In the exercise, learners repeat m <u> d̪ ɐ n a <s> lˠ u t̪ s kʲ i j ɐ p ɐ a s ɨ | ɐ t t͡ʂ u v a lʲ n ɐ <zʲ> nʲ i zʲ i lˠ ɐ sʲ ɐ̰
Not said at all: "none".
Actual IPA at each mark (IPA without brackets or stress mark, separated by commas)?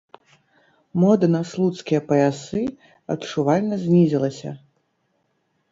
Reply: ɔ, s, zʲ